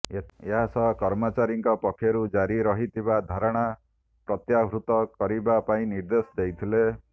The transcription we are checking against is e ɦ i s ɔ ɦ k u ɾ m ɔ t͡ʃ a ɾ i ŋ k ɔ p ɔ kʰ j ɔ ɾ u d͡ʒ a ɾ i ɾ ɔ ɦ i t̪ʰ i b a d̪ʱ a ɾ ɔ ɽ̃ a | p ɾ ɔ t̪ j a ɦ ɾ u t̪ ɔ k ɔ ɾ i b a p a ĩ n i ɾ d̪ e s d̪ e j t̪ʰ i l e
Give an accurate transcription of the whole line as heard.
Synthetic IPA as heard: e ɦ a s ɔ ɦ k ɔ ɾ m ɔ t͡ʃ a ɾ i ŋ k ɔ p ɔ kʰ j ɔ ɾ u d͡ʒ a ɾ i ɾ ɔ ɦ i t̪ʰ i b a d̪ʱ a ɾ ɔ ɽ̃ a | p ɾ ɔ t̪ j a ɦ ɾ u t̪ ɔ k ɔ ɾ i b a p a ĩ n i ɾ d̪ e s d̪ e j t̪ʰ i l e